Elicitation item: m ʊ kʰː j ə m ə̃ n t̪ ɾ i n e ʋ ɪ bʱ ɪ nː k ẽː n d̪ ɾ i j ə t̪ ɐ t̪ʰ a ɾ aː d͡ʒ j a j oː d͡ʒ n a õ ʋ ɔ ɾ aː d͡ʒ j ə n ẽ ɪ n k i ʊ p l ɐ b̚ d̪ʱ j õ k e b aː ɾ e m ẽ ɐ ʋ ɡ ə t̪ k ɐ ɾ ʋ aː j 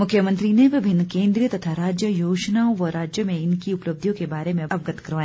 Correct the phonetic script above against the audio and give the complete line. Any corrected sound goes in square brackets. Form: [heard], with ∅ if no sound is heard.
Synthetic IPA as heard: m ʊ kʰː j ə m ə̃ n t̪ ɾ i n e ʋ ɪ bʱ ɪ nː k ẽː n d̪ ɾ i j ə t̪ ɐ t̪ʰ a ɾ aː d͡ʒ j [ə] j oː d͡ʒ n a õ ʋ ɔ ɾ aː d͡ʒ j ə [m] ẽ ɪ n k i ʊ p l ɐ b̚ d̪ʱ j õ k e b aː ɾ e m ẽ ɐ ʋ ɡ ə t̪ k ɐ ɾ ʋ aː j